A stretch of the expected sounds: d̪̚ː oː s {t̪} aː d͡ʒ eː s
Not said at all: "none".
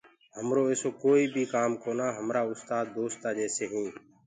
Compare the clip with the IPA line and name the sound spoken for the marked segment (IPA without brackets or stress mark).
t̪